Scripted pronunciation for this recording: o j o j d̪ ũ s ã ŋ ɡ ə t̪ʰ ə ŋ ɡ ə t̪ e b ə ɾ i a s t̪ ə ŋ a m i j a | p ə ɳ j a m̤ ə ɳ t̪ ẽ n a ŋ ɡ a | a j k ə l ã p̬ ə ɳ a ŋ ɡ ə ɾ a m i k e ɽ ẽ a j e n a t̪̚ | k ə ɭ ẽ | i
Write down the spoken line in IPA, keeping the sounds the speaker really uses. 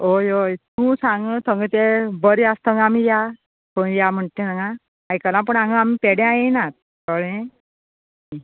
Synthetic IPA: o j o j t̪ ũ s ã ŋ ɡ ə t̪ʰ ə ŋ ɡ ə t̪ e b ə ɾ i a s t̪ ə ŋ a m i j a | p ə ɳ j a m̤ ə ɳ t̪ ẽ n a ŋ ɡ a | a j k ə l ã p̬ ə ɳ a ŋ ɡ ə a m i p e ɽ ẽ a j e n a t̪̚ | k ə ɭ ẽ | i